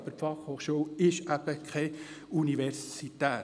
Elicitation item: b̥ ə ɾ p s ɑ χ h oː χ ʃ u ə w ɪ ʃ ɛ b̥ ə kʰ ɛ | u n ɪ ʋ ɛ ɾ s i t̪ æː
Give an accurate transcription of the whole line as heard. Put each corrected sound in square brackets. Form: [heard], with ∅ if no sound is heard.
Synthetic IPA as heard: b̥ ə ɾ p [f] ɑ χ h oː χ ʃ u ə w ɪ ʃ [æ] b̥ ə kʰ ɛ | u n [i] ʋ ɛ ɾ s i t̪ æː